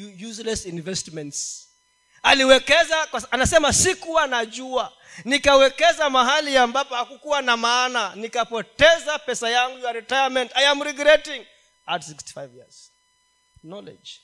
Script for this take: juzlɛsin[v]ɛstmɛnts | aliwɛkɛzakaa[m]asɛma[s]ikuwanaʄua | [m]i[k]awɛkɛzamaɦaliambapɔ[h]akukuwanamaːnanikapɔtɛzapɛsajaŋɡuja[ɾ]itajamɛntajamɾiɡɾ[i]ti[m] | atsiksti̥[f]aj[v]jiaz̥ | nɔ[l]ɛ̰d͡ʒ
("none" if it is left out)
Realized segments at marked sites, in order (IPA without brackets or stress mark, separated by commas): v, n, s, n, k, h, ɾ, ɛ, ŋ, f, v, l